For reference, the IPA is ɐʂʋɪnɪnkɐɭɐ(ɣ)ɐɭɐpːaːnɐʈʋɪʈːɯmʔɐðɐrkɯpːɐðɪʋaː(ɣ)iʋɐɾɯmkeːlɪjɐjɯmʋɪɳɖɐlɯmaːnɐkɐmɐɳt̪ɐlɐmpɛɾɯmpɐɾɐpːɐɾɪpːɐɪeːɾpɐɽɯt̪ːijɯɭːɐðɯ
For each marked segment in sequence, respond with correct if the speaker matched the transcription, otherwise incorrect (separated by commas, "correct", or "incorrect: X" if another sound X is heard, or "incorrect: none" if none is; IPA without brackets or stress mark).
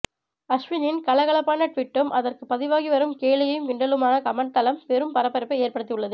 correct, correct